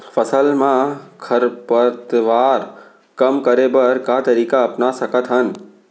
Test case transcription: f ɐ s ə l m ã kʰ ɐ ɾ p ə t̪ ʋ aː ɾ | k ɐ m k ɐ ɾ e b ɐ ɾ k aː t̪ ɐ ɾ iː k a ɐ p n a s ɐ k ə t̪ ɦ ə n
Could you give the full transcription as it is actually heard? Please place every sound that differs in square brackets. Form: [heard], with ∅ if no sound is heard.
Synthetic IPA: f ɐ s ə l m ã kʰ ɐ ɾ p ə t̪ ʋ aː ɾ | k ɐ m k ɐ ɾ e b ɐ ɾ k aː t̪ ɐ ɾ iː k a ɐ p n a s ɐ k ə t̪ ɦ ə n